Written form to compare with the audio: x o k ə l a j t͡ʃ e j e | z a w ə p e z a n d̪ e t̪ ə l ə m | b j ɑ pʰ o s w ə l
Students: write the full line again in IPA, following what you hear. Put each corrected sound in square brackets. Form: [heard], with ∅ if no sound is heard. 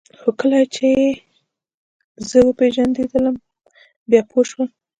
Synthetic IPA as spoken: x o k ə l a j t͡ʃ e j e | z [ə] w ə p e [ʒ] a n d̪ e [d̪] ə l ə m | b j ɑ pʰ o [ʃ] w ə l